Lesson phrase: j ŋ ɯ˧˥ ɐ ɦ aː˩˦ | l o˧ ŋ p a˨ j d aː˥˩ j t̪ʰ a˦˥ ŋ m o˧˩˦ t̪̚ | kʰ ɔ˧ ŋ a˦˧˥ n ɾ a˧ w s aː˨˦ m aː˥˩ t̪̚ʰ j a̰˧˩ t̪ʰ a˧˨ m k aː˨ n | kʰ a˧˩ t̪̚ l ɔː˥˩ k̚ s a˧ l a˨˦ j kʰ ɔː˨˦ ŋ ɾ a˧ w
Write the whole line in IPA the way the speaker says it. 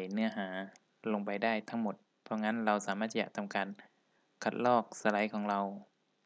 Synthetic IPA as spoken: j n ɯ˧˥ ɐ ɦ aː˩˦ | l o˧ ŋ p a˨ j d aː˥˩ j t̪ʰ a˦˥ ŋ m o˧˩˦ t̪̚ | pʰ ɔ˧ ŋ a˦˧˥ n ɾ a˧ w s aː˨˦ m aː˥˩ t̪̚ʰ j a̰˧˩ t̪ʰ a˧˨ m k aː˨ n | kʰ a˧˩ t̪̚ l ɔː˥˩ k̚ s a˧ l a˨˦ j kʰ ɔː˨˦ ŋ ɾ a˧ w